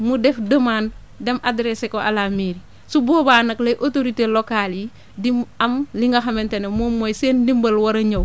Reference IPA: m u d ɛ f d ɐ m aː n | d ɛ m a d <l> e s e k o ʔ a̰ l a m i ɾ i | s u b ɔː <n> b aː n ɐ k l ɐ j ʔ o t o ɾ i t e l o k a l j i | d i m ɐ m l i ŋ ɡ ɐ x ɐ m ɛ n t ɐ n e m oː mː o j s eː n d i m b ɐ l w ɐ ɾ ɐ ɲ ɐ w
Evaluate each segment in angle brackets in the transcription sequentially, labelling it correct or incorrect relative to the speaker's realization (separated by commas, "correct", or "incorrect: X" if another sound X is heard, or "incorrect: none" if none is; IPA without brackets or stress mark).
incorrect: ɾ, incorrect: none